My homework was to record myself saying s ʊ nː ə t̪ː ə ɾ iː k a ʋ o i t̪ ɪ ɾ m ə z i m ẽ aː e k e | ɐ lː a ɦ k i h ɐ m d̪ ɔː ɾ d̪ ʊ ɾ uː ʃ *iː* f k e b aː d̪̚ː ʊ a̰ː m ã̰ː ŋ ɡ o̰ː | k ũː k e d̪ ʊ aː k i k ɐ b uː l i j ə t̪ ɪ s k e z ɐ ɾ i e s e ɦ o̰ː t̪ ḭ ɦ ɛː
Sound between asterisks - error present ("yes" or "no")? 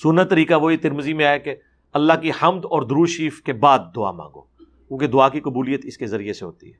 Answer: no